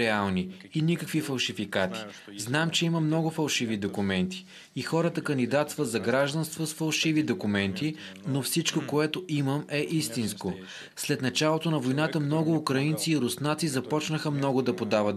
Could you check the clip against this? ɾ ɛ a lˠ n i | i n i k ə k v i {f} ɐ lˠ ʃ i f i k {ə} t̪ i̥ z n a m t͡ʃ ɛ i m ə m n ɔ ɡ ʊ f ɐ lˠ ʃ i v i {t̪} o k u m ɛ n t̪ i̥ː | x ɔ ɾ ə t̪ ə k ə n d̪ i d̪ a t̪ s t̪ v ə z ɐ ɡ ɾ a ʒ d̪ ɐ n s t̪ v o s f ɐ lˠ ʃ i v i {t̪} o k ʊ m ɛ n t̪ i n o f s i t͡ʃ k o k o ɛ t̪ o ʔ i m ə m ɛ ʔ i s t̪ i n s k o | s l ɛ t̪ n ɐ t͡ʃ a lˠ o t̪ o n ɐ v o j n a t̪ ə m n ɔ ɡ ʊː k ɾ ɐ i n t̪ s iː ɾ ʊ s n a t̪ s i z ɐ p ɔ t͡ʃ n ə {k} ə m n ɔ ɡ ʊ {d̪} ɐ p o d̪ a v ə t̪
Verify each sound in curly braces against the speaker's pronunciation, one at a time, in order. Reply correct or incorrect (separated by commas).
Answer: correct, incorrect, incorrect, incorrect, incorrect, correct